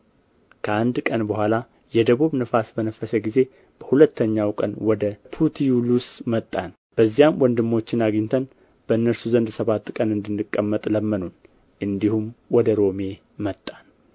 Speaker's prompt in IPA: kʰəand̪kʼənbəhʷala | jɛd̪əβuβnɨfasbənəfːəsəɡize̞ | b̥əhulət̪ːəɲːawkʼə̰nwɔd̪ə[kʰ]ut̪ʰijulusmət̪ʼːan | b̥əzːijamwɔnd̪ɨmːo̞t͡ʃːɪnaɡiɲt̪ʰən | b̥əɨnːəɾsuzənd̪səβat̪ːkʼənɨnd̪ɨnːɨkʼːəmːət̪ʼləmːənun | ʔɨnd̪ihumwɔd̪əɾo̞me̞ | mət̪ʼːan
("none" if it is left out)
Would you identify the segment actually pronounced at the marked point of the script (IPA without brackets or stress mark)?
pʰ